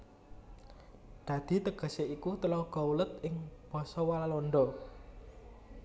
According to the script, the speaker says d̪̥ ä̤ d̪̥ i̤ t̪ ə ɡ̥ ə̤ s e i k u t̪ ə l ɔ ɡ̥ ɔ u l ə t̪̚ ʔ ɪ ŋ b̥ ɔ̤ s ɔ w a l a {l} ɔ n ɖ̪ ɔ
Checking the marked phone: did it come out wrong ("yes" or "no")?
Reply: no